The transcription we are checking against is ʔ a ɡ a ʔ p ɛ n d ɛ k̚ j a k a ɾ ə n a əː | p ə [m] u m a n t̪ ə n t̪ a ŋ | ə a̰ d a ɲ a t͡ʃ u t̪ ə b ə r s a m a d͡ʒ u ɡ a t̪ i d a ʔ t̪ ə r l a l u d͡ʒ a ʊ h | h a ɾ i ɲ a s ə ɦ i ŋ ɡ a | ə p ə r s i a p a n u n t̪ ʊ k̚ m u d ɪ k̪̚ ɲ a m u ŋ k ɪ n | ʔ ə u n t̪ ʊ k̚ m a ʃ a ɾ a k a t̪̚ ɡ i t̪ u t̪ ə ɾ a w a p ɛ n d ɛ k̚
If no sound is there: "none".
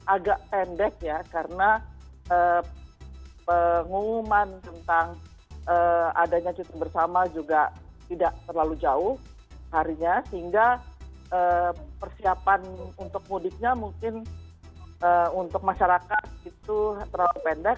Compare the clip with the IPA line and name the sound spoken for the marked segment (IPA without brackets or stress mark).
ŋ